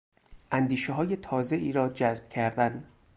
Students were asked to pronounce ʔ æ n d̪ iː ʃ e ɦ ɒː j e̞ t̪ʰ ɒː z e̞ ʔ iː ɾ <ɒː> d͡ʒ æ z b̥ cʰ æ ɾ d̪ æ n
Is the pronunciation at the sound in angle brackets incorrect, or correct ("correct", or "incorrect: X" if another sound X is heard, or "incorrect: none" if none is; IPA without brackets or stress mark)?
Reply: correct